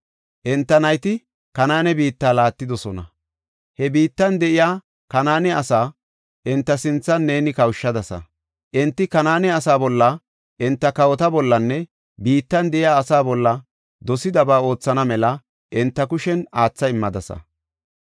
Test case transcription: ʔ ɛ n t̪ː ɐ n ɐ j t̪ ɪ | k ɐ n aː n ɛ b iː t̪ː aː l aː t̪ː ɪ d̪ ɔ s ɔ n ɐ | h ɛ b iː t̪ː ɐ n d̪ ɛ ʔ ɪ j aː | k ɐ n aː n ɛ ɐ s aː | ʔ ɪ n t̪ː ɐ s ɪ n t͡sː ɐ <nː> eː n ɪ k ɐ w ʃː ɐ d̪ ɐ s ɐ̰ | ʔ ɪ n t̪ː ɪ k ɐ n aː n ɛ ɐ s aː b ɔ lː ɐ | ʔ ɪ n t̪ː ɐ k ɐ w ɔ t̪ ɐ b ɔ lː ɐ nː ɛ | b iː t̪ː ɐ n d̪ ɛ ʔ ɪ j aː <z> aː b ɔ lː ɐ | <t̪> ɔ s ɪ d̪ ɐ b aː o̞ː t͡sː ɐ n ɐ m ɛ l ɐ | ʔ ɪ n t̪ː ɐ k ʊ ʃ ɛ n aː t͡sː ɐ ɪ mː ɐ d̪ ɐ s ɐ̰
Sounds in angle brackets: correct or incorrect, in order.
correct, incorrect, incorrect

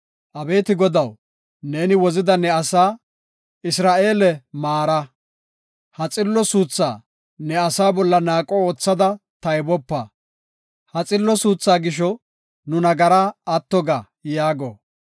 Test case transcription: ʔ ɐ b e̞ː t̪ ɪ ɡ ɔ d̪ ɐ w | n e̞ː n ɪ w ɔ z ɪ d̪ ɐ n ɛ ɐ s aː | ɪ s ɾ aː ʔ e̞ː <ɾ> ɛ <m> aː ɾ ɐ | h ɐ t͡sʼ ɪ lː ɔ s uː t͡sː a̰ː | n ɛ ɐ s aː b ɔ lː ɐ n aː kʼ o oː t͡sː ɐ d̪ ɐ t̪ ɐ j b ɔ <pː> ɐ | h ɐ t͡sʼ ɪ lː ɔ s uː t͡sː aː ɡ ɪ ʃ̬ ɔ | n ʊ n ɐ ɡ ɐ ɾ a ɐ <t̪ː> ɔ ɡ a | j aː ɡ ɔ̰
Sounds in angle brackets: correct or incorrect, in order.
incorrect, correct, correct, correct

